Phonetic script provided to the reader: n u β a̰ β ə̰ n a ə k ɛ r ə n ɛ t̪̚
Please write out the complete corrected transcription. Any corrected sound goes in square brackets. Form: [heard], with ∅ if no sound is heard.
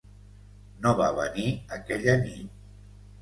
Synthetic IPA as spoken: n [o] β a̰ β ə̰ n [i] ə k ɛ [ʎ] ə n [i] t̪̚

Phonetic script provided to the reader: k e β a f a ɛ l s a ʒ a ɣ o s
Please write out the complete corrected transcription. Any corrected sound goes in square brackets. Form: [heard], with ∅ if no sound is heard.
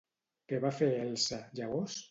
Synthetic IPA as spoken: k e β a f [e] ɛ l s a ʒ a ɣ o s

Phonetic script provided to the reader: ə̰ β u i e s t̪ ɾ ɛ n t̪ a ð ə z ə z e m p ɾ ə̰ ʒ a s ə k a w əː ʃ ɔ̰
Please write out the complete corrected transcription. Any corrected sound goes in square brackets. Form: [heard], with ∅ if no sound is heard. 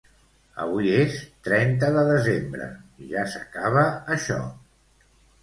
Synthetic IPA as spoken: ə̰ β u i e s t̪ ɾ ɛ n t̪ [ə] ð ə [ð] ə z e m [b] ɾ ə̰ ʒ a s ə k a [β] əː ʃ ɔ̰

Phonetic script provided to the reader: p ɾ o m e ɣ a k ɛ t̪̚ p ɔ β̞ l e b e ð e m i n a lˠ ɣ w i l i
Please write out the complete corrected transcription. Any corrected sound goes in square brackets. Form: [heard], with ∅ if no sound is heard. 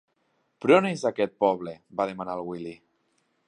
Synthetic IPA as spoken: p ɾ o [n] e [z] a k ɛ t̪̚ p ɔ β̞ l e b [a] ð e m [a] n a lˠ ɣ w i l i

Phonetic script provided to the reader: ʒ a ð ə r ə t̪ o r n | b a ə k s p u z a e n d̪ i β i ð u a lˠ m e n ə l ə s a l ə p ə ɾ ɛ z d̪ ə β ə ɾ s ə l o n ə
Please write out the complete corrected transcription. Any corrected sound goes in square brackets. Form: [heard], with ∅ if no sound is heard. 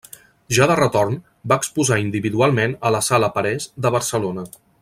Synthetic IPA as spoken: ʒ a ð ə r ə t̪ o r n | b a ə k s p u z a [i] n d̪ i β i ð u a lˠ m e n ə l ə s a l ə p ə ɾ ɛ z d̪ ə β ə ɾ s ə l o n ə

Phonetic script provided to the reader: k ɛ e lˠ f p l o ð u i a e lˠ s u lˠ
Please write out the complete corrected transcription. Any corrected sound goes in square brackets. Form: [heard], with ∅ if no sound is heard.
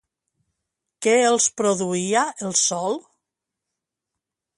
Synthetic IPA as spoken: k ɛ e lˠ [s] p [ɾ] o ð u i a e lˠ s [ɔ] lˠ

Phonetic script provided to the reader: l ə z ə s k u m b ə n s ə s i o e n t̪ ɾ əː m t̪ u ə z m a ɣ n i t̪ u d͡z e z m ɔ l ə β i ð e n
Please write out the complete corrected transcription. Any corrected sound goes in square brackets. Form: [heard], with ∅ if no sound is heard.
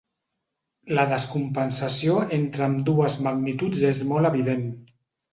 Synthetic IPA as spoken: l ə [ð] ə s k u m [p] ə n s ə s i o e n t̪ ɾ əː m [d̪] u ə z m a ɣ n i t̪ u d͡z e z m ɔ l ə β i ð e n

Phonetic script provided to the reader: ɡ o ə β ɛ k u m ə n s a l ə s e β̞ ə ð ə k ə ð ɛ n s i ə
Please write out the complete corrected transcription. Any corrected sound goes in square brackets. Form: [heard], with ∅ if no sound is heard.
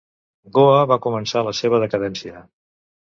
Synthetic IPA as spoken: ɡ o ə β [a] k u m ə n s a l ə s e β̞ ə ð ə k ə ð ɛ n s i ə

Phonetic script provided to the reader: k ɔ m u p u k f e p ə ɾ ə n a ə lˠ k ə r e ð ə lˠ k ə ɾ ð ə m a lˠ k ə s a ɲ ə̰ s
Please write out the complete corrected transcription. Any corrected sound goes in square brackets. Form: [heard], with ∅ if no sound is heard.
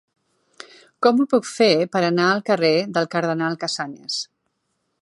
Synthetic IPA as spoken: k ɔ m u p u k f e p ə ɾ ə n a ə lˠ k ə r e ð ə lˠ k ə ɾ ð ə [n] a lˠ k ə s a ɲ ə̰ s

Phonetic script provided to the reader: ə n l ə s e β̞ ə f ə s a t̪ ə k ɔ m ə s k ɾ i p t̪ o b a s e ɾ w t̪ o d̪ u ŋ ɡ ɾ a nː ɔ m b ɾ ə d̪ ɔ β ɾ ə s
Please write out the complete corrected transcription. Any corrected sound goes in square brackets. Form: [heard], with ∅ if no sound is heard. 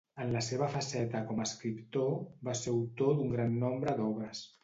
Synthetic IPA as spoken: ə n l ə s e β̞ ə f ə s [ɛ] t̪ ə k ɔ m ə s k ɾ i p t̪ o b a s e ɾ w t̪ o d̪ u ŋ ɡ ɾ a nː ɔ m b ɾ ə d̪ ɔ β ɾ ə s

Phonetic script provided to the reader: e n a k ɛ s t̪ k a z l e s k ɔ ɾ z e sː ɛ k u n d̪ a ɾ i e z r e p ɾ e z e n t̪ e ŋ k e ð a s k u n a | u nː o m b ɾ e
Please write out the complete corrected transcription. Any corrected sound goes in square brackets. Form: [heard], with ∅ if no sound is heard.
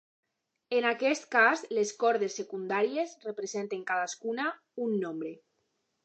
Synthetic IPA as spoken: e n a k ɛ s t̪ k a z l e s k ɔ ɾ [ð] e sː [e] k u n d̪ a ɾ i e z r e p ɾ e z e n t̪ e ŋ k [a] ð a s k u n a | u nː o m b ɾ e

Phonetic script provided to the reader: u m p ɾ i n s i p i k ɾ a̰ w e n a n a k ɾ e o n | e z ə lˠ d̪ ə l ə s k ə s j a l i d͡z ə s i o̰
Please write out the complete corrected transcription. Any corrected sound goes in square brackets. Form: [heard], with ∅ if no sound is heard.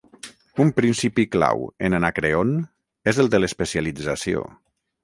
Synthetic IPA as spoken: u m p ɾ i n s i p i k [l] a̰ w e n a n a k ɾ e o n | e z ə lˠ d̪ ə l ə s [p] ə s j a l i d͡z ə s i o̰

